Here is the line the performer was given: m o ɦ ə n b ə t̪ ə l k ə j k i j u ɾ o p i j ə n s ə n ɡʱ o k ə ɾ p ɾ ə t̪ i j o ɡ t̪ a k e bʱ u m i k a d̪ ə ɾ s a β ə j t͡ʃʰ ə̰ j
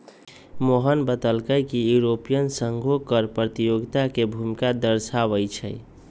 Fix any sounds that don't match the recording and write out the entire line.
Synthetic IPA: m o ɦ ə n b ə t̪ ə l k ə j k i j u ɾ o p i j ə n s ə ŋ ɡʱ o k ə ɾ p ɾ ə t̪ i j o ɡ t̪ a k e bʱ u m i k a d̪ ə ɾ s a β ə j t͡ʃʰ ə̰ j